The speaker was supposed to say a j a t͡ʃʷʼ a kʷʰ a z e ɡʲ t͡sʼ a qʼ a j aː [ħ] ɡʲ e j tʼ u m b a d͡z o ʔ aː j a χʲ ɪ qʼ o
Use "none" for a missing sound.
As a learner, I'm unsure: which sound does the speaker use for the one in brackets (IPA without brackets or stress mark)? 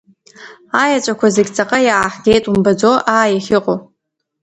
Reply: ħ